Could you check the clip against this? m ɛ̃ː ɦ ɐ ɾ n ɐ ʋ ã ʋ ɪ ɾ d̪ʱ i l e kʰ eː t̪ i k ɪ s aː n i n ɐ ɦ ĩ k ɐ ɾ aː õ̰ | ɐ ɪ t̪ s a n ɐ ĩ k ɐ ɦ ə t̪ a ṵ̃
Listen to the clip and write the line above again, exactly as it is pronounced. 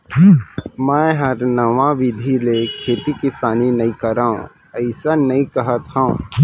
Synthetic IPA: m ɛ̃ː ɦ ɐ ɾ n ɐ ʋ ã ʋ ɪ d̪ʱ i l e kʰ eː t̪ i k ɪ s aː n i n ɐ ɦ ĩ k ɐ ɾ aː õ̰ | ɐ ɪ s a n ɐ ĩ k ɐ ɦ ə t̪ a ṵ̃